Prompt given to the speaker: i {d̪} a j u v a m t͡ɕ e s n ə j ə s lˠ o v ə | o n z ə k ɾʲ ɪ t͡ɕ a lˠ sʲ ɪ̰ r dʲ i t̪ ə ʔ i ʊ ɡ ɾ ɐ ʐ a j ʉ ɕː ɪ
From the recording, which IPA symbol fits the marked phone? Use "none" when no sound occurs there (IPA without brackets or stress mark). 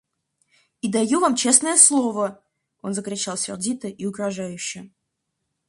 d̪